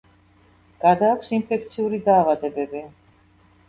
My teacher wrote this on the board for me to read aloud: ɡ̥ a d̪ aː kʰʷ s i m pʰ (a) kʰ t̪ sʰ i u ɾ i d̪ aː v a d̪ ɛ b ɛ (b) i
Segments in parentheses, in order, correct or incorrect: incorrect, correct

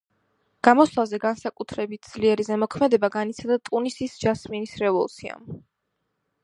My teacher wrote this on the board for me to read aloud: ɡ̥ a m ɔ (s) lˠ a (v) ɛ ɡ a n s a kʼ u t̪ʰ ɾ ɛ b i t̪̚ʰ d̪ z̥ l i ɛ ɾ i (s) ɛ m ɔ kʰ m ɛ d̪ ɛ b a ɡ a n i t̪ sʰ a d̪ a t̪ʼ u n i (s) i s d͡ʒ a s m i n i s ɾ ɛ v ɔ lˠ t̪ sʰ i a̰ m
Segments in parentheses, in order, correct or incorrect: correct, incorrect, incorrect, correct

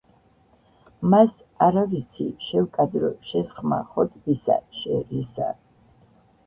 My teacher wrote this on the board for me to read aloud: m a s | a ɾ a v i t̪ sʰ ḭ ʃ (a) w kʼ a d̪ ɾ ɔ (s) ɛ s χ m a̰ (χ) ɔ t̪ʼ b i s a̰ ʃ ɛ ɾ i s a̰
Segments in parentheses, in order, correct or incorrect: incorrect, incorrect, correct

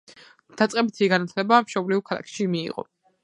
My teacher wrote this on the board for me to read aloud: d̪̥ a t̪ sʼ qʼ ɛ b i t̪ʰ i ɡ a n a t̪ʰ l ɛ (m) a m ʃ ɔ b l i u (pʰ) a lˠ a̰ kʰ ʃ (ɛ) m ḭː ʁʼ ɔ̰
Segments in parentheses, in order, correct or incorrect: incorrect, incorrect, incorrect

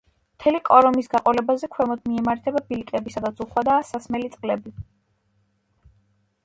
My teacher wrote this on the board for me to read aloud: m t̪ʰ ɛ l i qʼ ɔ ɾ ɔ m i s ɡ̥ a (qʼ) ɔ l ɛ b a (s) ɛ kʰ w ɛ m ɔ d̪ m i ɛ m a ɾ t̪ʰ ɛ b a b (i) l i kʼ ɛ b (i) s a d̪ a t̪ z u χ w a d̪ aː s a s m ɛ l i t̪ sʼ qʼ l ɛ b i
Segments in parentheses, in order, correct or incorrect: correct, incorrect, correct, correct

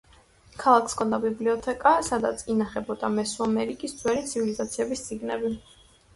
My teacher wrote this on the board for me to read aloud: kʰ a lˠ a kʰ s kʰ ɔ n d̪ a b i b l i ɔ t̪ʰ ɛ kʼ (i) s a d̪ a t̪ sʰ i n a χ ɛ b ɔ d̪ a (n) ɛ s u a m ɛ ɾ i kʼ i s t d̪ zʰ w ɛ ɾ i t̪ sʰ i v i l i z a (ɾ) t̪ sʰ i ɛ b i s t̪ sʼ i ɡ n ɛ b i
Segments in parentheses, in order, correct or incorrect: incorrect, incorrect, incorrect

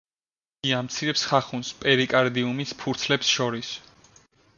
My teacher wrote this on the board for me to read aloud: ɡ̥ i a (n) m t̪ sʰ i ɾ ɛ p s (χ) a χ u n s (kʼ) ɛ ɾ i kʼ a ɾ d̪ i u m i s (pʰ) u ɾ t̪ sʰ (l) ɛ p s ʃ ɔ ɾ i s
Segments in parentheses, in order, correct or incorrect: incorrect, correct, incorrect, correct, correct

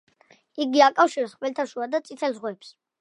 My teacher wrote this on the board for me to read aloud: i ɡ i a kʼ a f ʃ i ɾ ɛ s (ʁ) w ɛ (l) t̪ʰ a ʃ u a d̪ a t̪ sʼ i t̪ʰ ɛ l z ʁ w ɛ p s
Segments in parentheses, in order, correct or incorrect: incorrect, correct

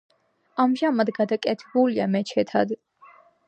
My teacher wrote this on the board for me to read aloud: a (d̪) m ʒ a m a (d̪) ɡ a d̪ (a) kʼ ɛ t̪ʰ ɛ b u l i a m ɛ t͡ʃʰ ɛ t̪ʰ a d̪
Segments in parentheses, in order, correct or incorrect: incorrect, correct, correct

